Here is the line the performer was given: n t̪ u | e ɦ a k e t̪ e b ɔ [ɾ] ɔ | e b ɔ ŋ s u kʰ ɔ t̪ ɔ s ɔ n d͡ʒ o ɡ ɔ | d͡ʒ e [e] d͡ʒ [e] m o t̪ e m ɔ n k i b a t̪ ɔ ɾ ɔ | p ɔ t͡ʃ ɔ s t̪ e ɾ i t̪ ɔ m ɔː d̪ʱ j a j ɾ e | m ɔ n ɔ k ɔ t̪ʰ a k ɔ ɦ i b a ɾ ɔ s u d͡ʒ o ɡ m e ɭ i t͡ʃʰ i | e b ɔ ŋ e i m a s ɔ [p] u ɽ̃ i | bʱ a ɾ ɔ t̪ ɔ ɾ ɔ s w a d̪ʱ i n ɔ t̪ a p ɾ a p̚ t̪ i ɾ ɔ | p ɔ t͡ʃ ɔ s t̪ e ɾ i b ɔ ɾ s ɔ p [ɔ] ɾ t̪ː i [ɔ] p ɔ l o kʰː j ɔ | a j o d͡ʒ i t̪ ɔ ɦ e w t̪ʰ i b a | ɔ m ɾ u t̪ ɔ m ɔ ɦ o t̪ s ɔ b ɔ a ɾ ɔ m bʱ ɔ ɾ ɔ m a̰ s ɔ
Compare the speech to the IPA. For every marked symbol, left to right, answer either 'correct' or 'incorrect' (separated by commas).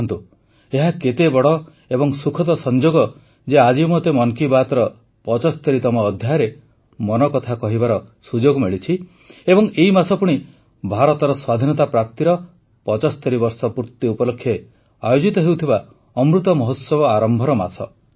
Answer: incorrect, incorrect, incorrect, correct, incorrect, incorrect